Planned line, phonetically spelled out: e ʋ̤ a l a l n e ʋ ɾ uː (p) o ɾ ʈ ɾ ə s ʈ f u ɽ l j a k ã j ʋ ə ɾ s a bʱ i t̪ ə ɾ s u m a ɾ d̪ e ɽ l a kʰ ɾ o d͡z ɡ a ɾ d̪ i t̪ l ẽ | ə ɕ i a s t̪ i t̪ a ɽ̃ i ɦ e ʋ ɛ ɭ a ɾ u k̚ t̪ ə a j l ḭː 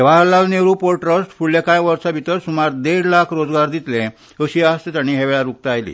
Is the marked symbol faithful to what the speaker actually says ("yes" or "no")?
yes